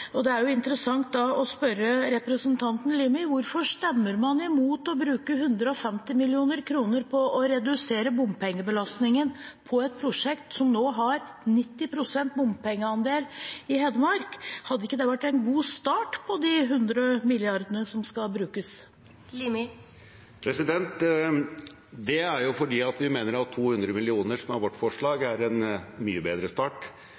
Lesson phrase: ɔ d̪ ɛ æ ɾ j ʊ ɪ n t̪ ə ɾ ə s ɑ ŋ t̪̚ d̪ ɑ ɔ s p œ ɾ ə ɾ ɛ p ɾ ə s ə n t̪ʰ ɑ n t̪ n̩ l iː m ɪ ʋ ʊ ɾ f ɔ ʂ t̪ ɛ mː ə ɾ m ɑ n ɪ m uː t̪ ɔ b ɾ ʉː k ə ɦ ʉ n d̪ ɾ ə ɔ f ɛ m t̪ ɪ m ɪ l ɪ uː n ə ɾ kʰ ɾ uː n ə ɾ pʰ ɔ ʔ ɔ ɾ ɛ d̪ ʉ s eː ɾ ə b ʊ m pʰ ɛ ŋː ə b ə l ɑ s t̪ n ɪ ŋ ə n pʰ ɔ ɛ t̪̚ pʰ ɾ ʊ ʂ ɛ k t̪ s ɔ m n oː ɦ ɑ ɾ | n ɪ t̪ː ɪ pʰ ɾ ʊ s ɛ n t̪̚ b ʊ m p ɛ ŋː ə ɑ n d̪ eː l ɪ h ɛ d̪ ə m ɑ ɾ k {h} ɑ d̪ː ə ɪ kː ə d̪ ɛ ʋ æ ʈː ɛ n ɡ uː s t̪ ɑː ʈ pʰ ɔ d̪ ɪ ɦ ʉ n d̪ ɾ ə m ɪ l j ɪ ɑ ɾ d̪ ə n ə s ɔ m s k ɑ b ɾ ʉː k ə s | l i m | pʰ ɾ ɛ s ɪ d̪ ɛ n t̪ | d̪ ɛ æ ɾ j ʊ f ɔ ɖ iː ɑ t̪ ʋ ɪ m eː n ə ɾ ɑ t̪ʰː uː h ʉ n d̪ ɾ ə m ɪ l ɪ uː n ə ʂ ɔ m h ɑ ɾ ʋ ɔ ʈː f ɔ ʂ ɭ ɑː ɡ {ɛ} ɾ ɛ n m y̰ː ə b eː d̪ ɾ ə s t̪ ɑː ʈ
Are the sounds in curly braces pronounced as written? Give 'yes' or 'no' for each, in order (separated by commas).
yes, no